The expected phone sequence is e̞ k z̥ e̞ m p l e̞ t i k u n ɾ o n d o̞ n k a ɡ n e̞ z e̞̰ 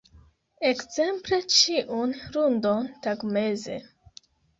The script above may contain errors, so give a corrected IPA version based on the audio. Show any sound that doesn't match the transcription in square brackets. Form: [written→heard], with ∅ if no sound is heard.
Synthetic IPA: e̞ k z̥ e̞ m p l e̞ [t→t͡ʃ] i [k→ʔ] u n ɾ [o→u] n d o̞ n [k→t] a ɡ [n→m] e̞ z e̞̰